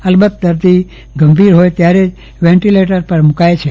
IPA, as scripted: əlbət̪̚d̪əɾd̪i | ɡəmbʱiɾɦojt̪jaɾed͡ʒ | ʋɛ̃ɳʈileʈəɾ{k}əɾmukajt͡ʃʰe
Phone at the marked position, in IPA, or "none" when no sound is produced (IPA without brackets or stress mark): p